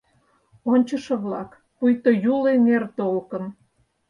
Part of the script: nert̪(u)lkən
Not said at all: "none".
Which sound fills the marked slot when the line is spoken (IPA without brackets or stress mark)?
o